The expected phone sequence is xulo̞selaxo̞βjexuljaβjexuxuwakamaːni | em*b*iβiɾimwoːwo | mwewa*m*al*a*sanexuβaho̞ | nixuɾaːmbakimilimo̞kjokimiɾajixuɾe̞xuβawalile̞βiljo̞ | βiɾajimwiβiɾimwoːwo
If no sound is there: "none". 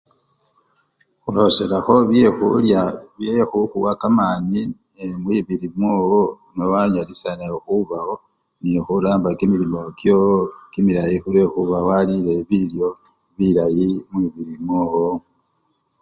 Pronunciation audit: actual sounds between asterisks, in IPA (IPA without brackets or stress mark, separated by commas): w, ɲ, i